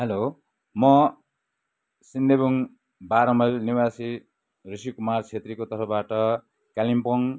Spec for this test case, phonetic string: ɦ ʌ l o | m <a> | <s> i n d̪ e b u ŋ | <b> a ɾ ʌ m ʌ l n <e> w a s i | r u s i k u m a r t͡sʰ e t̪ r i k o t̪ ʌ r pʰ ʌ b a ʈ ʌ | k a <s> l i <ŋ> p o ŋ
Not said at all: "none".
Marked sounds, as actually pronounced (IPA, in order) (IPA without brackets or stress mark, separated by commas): ʌ, s, b, i, none, m